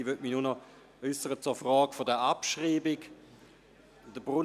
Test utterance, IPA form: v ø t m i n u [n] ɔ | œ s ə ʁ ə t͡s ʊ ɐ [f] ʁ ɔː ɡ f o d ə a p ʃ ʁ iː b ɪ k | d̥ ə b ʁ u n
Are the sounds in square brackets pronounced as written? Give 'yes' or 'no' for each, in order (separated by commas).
yes, yes